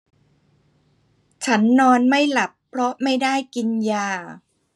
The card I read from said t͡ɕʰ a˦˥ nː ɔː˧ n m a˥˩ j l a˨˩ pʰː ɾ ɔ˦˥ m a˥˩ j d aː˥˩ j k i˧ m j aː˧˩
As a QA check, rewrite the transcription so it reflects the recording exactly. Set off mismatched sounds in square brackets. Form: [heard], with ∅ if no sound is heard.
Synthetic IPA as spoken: t͡ɕʰ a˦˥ nː ɔː˧ n m a˥˩ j l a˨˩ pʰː ɾ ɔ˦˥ m a˥˩ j d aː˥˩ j k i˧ [n] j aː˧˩